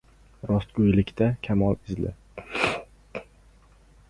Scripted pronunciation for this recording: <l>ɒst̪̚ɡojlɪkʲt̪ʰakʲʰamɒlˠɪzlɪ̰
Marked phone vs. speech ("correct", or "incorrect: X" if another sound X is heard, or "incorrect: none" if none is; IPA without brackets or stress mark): incorrect: ɾ